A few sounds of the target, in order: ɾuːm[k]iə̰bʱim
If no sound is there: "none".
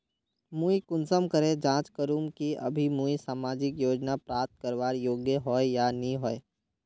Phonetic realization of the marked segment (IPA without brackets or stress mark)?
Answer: k